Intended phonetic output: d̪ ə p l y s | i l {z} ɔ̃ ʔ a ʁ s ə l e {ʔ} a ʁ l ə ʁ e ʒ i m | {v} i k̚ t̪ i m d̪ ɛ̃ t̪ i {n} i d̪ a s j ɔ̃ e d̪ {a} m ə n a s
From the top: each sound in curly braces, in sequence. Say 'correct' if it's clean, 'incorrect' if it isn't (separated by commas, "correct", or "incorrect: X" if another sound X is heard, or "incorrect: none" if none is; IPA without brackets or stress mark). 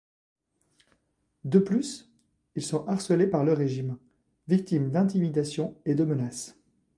incorrect: s, incorrect: p, correct, incorrect: m, incorrect: ə